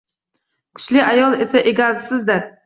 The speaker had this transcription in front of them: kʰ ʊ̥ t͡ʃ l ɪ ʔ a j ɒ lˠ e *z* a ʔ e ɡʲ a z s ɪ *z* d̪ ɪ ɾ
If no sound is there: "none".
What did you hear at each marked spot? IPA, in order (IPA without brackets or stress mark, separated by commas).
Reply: s, z